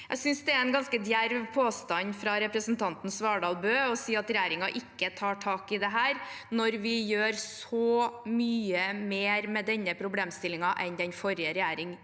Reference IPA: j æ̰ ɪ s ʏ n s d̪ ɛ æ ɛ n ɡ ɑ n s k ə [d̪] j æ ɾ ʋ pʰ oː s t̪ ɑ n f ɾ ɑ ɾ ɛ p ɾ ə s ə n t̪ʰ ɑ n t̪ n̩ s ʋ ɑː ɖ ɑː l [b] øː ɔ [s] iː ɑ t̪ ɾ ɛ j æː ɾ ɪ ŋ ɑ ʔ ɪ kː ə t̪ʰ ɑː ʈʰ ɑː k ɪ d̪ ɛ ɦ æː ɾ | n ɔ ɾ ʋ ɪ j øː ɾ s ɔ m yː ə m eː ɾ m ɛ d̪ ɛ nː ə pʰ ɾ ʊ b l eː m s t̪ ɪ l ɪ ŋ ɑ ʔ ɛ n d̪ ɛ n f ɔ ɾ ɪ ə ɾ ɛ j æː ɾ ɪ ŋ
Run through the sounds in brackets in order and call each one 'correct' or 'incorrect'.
correct, correct, correct

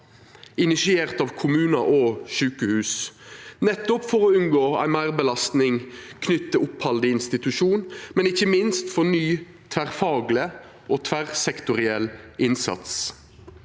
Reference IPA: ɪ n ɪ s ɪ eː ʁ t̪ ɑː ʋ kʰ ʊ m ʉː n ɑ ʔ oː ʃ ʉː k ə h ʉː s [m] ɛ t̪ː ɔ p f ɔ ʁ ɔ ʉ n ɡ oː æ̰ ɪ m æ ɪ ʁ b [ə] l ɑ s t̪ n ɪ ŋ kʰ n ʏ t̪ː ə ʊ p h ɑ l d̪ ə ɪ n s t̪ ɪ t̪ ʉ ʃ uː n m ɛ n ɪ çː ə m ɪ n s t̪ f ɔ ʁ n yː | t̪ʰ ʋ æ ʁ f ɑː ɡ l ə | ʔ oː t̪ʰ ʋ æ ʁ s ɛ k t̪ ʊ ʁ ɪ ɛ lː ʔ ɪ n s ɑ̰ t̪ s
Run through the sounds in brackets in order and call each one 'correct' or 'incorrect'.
incorrect, correct

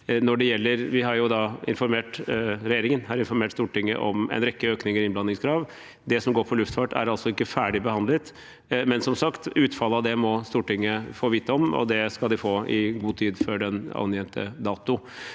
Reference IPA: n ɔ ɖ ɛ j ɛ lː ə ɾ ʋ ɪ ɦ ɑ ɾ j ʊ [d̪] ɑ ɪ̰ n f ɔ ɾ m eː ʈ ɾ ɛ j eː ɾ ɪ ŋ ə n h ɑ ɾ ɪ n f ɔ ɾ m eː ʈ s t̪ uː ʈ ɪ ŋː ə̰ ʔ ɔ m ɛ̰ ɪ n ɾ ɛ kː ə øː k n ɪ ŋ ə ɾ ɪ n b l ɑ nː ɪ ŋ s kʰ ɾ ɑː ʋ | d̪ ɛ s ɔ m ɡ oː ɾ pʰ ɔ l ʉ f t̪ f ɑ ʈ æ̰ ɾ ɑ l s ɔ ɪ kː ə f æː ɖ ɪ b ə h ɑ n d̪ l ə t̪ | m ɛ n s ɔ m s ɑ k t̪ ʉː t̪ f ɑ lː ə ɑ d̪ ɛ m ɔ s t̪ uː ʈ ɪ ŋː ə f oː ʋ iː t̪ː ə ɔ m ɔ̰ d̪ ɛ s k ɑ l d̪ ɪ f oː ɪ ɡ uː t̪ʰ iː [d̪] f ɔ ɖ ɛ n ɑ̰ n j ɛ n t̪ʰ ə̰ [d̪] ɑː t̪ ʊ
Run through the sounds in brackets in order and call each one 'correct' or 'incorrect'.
correct, correct, correct

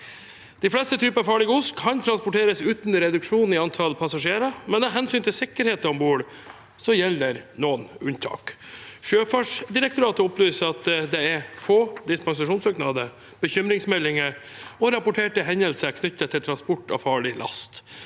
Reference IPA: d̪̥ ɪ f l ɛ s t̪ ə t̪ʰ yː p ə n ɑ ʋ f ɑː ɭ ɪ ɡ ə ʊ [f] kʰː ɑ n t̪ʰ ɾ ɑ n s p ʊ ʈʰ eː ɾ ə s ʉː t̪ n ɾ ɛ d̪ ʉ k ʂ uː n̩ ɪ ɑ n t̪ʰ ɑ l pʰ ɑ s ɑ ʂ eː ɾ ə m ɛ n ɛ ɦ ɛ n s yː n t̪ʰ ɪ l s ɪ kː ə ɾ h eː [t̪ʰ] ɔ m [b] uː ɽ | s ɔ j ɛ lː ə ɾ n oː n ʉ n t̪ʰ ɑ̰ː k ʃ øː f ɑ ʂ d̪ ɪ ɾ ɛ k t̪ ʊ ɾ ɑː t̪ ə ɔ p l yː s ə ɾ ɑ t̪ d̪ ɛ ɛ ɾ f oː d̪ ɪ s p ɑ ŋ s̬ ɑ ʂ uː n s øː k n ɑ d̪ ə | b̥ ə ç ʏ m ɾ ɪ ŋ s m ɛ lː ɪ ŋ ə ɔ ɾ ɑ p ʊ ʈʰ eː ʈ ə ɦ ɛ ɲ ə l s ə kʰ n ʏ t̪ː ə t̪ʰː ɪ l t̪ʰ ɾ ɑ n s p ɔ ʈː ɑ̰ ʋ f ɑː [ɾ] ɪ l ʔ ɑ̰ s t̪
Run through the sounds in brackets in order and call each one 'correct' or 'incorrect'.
incorrect, incorrect, correct, incorrect

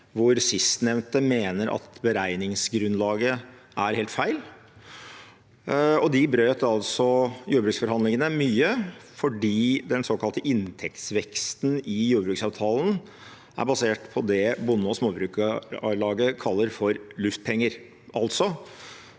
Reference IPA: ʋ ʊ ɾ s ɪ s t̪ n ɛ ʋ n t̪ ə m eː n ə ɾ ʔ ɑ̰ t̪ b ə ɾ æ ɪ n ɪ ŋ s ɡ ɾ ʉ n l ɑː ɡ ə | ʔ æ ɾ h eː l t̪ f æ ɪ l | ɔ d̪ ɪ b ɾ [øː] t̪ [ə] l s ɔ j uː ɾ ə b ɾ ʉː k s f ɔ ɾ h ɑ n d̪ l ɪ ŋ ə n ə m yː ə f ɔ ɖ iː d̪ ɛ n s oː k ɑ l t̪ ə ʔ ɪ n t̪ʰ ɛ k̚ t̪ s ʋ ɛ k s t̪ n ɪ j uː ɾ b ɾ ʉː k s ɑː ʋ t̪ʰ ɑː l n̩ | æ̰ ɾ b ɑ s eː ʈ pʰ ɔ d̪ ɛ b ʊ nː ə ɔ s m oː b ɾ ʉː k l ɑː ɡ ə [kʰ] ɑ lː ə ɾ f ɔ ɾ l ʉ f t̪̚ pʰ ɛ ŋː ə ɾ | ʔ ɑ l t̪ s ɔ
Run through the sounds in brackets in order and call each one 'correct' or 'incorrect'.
correct, incorrect, correct

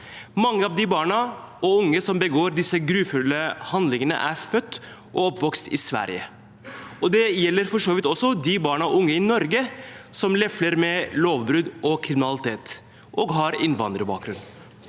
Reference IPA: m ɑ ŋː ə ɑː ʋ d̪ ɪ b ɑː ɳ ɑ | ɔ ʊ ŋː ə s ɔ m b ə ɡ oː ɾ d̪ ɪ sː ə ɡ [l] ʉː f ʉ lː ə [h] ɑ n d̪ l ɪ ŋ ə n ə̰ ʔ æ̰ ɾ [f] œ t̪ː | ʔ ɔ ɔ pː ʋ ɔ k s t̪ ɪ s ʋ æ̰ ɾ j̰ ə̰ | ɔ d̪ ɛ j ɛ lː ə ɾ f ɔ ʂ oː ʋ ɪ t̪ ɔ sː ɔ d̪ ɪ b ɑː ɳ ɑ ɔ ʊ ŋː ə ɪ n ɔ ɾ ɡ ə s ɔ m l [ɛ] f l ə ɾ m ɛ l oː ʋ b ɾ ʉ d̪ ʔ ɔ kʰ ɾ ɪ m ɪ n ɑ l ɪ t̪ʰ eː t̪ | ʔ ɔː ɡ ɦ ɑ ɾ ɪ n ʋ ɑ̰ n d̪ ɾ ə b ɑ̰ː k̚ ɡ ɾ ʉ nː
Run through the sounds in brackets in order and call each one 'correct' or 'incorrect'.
incorrect, correct, correct, correct

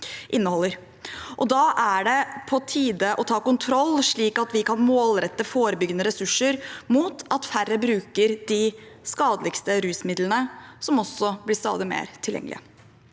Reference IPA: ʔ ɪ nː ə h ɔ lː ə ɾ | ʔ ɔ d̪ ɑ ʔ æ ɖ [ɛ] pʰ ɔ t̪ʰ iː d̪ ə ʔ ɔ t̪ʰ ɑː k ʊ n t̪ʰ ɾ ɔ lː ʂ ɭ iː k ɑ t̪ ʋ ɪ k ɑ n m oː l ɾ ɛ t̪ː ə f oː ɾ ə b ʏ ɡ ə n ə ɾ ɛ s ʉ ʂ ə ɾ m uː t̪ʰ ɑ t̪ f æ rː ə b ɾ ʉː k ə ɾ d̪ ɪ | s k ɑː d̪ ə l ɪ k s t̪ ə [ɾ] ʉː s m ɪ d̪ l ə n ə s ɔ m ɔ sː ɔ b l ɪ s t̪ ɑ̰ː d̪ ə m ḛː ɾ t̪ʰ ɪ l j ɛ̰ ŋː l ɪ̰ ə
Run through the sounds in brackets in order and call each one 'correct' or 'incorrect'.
correct, correct

